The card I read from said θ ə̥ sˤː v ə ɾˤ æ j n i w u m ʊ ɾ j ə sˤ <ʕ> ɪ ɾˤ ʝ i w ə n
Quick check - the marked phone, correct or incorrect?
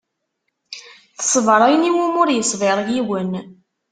incorrect